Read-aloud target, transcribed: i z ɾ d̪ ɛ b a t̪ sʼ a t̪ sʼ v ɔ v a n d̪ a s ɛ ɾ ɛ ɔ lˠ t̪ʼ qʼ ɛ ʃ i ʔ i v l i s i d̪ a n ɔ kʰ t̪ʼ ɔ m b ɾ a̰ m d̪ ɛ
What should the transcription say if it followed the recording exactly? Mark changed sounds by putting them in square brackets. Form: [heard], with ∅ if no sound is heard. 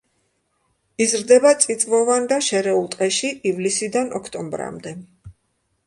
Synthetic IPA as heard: i z ɾ d̪ ɛ b a t̪ sʼ [i] t̪ sʼ v ɔ v a n d̪ a [ʃ] ɛ ɾ ɛ [u] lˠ t̪ʼ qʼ ɛ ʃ i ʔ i v l i s i d̪ a n ɔ kʰ t̪ʼ ɔ m b ɾ a̰ m d̪ ɛ

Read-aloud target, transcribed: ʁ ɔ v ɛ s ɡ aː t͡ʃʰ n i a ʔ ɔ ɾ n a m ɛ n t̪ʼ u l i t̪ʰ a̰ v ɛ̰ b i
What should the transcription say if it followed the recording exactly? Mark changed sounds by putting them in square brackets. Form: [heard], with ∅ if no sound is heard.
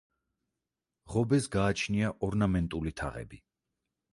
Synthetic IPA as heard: ʁ ɔ [b] ɛ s ɡ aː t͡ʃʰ n i a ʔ ɔ ɾ n a m ɛ n t̪ʼ u l i t̪ʰ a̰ [ʁ] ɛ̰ b i

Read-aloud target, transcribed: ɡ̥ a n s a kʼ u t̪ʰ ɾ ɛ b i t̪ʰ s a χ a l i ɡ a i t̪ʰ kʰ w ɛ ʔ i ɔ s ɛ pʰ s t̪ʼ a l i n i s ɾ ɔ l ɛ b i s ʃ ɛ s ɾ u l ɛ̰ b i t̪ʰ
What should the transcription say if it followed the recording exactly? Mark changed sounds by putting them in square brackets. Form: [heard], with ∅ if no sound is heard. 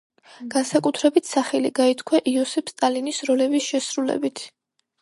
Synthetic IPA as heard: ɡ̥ a n s a kʼ u t̪ʰ ɾ ɛ b i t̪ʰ s a χ [ɛ] l i ɡ a i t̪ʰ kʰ w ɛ ʔ i ɔ s ɛ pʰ s t̪ʼ a l i n i s ɾ ɔ l ɛ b i s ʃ ɛ s ɾ u l ɛ̰ b i t̪ʰ

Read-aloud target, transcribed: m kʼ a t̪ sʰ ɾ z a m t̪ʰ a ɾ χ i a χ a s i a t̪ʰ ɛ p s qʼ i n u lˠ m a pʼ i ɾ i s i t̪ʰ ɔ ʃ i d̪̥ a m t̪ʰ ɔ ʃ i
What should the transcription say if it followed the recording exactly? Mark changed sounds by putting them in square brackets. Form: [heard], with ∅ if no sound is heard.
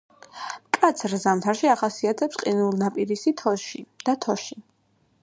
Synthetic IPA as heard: m kʼ a t̪ sʰ ɾ z a m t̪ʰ a ɾ [ʃ] i a χ a s i a t̪ʰ ɛ p s qʼ i n u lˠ [n] a pʼ i ɾ i s i t̪ʰ ɔ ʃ i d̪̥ a [∅] t̪ʰ ɔ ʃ i

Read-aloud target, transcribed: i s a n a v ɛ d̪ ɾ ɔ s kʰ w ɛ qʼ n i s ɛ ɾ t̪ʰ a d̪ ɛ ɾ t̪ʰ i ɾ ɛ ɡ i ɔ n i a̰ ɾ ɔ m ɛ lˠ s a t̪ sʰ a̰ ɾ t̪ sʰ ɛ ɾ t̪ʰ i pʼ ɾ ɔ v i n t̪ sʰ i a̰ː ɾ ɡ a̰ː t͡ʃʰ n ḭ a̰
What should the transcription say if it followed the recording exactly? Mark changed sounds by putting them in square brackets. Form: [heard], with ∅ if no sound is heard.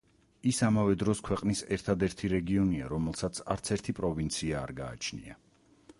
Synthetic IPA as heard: i s a [m] a v ɛ d̪ ɾ ɔ s kʰ w ɛ qʼ n i s ɛ ɾ t̪ʰ a d̪ ɛ ɾ t̪ʰ i ɾ ɛ ɡ i ɔ n i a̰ ɾ ɔ m ɛ lˠ s a t̪ sʰ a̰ ɾ t̪ sʰ ɛ ɾ t̪ʰ i pʼ ɾ ɔ v i n t̪ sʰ i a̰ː ɾ ɡ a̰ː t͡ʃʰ n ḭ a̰

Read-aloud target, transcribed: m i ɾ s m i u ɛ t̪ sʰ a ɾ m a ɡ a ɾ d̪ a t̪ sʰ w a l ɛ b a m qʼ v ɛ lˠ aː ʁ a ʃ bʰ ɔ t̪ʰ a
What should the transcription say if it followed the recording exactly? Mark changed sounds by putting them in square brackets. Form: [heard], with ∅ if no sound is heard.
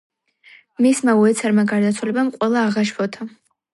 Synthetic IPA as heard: m i [∅] s m [a] u ɛ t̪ sʰ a ɾ m a ɡ a ɾ d̪ a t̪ sʰ w a l ɛ b a m qʼ [w] ɛ lˠ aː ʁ a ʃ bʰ ɔ t̪ʰ a

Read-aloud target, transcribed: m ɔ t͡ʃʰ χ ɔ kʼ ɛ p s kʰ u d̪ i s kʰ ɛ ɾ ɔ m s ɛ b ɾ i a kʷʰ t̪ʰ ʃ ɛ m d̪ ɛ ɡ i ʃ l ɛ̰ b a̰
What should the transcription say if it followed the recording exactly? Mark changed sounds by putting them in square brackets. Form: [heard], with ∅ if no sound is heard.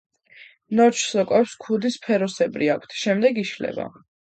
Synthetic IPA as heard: [n] ɔ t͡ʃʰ [s] ɔ kʼ ɛ p s kʰ u d̪ i s [pʰ] ɛ ɾ ɔ [∅] s ɛ b ɾ i a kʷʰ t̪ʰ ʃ ɛ m d̪ ɛ ɡ i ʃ l ɛ̰ b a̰

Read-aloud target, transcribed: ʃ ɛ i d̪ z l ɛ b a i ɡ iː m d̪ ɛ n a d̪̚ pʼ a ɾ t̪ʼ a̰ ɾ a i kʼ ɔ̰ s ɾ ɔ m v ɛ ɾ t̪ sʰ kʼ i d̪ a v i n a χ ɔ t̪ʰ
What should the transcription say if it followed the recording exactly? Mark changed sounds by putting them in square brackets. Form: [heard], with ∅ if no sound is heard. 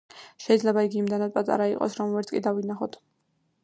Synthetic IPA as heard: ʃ ɛ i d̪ z l ɛ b a i ɡ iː m d̪ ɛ n a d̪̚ pʼ a [∅] t̪ʼ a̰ ɾ a i [qʼ] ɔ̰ s ɾ ɔ m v ɛ ɾ t̪ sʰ kʼ i d̪ a v i n a χ ɔ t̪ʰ

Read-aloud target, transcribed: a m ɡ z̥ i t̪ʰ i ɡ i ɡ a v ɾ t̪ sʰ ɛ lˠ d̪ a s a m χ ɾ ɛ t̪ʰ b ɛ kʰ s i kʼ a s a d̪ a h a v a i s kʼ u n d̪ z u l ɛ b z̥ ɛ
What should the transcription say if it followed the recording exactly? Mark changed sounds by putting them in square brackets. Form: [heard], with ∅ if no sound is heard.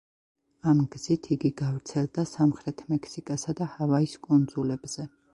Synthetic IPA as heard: a m ɡ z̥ i t̪ʰ i ɡ i ɡ a v ɾ t̪ sʰ ɛ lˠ d̪ a s a m χ ɾ ɛ t̪ʰ [m] ɛ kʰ s i kʼ a s a d̪ a h a v a i s kʼ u n d̪ z u l ɛ b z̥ ɛ

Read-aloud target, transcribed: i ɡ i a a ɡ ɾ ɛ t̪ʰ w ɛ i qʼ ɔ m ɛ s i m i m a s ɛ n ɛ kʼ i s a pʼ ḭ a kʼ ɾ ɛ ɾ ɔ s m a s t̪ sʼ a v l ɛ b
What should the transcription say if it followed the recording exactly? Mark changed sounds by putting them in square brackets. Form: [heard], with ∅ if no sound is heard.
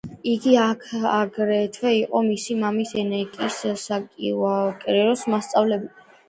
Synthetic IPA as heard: i ɡ i a a ɡ ɾ ɛ t̪ʰ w ɛ i qʼ ɔ m [i] s i m [a] m [i] s ɛ n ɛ kʼ i s a [kʼ] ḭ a kʼ ɾ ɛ ɾ ɔ s m a s t̪ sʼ a v l ɛ b

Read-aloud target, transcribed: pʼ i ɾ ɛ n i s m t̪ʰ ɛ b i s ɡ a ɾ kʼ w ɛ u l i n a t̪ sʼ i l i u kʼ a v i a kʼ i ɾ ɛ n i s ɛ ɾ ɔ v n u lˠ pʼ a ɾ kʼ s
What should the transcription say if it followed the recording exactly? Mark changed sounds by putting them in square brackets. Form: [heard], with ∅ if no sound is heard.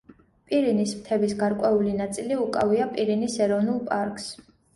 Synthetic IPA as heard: pʼ i ɾ [i] n i s m t̪ʰ ɛ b i s ɡ a ɾ kʼ w ɛ u l i n a t̪ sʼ i l i u kʼ a v i a [pʼ] i ɾ [i] n i s ɛ ɾ ɔ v n u lˠ pʼ a ɾ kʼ s

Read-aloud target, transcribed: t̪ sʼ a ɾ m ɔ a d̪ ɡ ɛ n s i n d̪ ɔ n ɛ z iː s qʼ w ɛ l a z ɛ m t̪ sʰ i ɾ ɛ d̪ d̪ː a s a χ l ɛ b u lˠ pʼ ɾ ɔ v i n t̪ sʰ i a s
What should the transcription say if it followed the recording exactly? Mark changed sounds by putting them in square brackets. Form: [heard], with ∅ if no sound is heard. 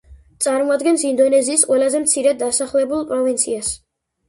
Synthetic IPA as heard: t̪ sʼ a ɾ m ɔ a d̪ ɡ ɛ n s i n d̪ ɔ n ɛ z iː s qʼ w ɛ l a z ɛ m t̪ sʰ i ɾ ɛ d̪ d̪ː a s a χ l ɛ b u lˠ pʼ ɾ ɔ v i n t̪ sʰ i a s

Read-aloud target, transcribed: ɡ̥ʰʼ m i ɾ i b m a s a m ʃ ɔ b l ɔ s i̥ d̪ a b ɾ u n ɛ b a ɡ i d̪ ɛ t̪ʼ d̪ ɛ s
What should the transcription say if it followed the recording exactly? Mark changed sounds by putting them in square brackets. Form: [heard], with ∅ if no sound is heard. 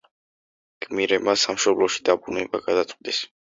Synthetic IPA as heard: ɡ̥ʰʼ m i ɾ [ɛ] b m a s a m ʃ ɔ b l ɔ [ʃ] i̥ d̪ a b ɾ u n ɛ b a ɡ [a] d̪ [a] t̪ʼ d̪ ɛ s

